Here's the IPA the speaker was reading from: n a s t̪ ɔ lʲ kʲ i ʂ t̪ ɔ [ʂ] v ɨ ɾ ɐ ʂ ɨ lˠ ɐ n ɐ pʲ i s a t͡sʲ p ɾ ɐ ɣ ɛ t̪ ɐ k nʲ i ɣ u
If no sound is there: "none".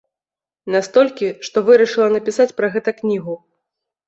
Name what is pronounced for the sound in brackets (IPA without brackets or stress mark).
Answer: none